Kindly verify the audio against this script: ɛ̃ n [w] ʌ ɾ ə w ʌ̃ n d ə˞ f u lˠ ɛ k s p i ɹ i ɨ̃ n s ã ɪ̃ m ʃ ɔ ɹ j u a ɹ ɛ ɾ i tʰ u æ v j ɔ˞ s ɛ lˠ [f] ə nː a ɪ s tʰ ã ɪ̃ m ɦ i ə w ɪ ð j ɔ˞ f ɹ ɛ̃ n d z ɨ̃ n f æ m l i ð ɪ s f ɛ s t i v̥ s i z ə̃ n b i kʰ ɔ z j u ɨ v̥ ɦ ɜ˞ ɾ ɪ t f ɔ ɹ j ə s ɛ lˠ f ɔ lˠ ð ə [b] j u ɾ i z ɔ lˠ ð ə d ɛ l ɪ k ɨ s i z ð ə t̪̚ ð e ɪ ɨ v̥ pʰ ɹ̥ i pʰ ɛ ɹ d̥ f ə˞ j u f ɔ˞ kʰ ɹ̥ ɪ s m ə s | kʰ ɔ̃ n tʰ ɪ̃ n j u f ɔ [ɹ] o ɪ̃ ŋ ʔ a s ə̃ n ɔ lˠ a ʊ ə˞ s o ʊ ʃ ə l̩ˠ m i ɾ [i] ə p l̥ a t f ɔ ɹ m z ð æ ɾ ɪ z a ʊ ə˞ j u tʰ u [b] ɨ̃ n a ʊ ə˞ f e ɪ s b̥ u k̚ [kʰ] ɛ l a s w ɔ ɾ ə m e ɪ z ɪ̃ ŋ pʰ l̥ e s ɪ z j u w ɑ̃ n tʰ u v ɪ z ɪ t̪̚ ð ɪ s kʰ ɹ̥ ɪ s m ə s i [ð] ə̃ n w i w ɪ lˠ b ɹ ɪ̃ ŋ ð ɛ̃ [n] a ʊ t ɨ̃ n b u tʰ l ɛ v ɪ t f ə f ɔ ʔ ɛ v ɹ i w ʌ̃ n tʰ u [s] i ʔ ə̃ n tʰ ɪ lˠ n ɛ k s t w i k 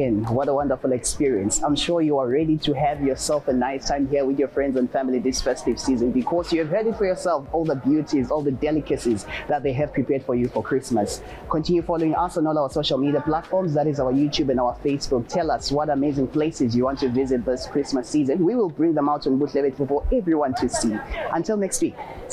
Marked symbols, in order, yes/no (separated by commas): yes, yes, yes, no, yes, yes, no, no, no, yes